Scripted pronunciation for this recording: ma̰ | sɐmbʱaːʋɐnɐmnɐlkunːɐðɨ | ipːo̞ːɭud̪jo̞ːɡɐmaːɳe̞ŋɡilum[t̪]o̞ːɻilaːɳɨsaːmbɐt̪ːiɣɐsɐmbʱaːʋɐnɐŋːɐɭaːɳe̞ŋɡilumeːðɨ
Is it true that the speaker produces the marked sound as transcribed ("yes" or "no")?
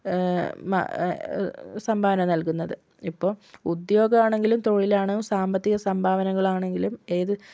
yes